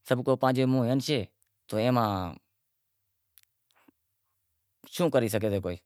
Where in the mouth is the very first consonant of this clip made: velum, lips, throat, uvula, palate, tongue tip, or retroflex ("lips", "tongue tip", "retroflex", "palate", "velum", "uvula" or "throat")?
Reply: tongue tip